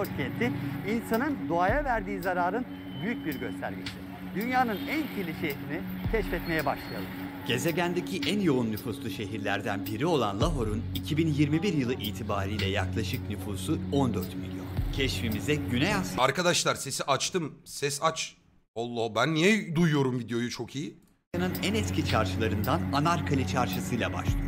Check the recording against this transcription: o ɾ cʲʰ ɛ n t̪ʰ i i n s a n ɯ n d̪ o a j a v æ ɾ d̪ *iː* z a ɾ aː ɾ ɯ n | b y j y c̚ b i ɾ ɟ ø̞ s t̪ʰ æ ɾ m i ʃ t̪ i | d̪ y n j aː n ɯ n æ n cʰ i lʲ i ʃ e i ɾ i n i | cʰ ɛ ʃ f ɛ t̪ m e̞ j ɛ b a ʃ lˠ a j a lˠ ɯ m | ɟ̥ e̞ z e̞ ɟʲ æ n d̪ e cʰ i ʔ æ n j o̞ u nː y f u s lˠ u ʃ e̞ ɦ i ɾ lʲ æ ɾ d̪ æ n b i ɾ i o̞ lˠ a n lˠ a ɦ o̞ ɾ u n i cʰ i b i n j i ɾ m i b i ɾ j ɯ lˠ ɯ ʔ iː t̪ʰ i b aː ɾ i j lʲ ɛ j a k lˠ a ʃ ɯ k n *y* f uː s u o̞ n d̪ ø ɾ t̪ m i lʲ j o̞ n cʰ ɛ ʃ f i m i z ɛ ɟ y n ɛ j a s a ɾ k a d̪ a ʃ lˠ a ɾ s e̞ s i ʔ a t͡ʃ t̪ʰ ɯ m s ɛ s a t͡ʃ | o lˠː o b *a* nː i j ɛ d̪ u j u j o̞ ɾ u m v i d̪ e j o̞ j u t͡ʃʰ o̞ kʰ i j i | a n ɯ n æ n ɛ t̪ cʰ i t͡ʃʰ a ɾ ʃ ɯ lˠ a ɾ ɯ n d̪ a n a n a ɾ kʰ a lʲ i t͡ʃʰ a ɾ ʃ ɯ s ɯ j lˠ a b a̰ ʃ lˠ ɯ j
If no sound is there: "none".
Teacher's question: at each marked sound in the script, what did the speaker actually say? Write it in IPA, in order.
iː, y, æ

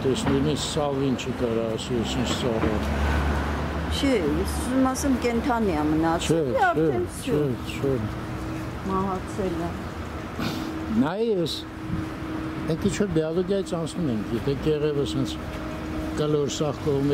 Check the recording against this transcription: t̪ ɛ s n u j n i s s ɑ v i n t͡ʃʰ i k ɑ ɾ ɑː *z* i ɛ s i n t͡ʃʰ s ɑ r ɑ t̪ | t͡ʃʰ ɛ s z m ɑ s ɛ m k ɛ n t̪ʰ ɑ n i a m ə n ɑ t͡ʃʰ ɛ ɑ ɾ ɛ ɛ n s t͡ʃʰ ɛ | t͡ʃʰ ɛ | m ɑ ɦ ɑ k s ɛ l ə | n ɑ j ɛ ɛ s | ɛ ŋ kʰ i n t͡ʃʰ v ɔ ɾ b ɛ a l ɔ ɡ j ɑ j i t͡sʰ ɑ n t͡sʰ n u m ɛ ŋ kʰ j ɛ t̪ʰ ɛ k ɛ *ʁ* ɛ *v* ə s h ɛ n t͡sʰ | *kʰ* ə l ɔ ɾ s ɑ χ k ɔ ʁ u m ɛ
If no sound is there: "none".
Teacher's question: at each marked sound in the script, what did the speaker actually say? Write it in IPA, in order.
s, ʁ, v, k

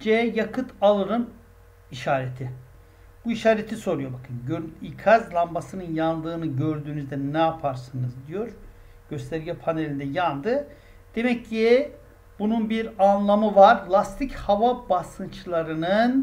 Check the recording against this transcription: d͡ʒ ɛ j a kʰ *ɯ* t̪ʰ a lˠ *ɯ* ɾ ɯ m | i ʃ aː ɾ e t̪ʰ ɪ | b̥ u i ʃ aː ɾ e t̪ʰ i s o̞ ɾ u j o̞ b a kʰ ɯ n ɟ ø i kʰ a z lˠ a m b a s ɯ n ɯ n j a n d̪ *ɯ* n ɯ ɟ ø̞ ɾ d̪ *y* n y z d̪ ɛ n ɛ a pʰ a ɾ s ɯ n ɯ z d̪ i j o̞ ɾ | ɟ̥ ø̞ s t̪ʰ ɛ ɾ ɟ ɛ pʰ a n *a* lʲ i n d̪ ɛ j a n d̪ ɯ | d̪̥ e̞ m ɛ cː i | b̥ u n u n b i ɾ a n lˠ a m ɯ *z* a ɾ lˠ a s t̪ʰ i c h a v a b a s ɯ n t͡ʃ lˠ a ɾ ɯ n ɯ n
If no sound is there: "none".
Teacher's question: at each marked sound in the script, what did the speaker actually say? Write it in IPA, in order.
ɯ, ɯ, ɯː, yː, e, v

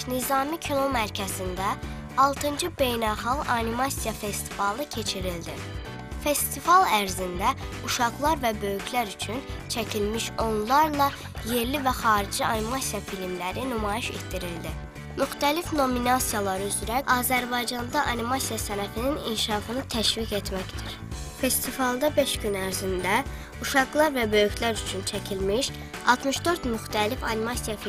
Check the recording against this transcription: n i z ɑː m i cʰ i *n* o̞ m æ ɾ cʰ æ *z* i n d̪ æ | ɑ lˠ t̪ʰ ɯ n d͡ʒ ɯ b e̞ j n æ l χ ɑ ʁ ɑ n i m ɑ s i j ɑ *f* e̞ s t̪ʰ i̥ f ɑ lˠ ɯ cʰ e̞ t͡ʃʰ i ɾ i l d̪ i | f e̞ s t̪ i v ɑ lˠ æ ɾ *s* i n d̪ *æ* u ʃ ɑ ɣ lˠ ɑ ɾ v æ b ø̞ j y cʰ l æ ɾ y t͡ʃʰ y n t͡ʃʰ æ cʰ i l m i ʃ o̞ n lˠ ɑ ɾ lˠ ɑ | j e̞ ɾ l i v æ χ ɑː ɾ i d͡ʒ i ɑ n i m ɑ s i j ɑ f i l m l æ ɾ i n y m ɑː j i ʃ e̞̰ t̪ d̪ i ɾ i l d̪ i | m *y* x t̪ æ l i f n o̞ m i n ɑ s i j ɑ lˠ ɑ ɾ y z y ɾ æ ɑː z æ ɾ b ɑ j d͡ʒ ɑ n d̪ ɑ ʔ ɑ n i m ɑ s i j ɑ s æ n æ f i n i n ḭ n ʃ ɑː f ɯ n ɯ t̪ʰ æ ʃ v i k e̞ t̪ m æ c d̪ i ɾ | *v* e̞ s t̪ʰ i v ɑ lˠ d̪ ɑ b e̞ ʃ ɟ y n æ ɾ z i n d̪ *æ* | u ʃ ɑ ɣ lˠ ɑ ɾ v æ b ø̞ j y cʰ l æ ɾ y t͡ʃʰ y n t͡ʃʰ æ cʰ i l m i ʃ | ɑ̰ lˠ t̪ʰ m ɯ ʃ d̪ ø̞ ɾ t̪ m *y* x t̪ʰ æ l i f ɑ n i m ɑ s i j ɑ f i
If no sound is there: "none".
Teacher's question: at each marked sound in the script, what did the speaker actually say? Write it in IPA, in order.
n, z, f, z, æ, y, f, æ, y

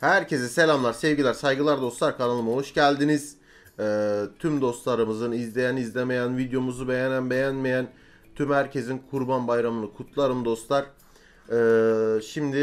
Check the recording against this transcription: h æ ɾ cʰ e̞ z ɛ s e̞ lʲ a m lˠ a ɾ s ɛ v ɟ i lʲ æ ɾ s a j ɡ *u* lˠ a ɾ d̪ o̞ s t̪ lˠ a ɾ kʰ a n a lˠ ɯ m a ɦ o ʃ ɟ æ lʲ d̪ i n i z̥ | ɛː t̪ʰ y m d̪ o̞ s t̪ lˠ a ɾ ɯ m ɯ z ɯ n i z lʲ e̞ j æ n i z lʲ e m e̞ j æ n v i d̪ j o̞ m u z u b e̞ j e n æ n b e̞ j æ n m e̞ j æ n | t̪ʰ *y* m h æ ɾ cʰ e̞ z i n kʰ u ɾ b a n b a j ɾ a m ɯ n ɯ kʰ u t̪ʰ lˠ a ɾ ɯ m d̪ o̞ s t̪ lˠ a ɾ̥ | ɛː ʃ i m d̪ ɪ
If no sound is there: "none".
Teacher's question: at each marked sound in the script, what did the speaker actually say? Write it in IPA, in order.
ɯ, y

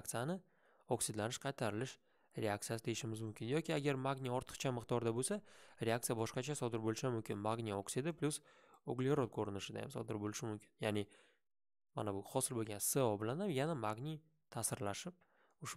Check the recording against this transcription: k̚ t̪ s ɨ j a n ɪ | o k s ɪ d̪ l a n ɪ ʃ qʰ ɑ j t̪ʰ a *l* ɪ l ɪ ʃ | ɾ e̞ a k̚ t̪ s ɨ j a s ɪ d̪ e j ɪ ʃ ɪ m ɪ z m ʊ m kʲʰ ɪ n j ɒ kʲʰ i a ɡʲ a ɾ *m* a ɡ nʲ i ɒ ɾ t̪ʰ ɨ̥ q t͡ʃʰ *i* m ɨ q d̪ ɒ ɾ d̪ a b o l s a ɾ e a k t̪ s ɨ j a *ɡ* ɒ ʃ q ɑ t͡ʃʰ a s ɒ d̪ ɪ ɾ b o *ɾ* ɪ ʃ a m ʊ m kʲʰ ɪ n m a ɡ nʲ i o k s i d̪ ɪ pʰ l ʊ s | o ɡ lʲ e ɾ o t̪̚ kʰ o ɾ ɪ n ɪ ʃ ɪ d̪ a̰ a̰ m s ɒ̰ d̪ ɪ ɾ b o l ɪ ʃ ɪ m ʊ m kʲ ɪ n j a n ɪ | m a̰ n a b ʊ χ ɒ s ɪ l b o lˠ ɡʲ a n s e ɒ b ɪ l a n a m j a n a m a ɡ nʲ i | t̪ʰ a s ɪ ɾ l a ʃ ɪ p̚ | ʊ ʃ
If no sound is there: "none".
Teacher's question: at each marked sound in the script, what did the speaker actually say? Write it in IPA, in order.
ɾ, m, a, b, l

